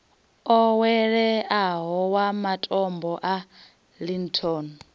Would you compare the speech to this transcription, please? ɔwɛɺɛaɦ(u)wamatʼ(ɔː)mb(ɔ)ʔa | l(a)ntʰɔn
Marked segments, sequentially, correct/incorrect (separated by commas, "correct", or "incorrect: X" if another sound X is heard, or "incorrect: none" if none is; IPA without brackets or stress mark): incorrect: ɔ, incorrect: ɔ, correct, incorrect: i